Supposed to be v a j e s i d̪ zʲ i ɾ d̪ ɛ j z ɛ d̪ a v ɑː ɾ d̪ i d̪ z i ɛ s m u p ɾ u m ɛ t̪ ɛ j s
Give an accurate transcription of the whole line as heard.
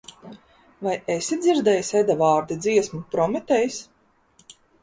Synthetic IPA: v a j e s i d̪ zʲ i ɾ d̪ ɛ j s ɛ d̪ a v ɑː ɾ d̪ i d̪ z i ɛ s m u p ɾ ɔ m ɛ t̪ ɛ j s